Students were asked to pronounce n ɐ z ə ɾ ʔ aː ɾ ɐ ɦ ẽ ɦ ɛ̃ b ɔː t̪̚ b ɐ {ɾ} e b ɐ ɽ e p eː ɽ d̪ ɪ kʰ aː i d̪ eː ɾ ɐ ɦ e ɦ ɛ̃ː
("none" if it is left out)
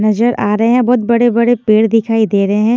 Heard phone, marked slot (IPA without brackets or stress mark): ɽ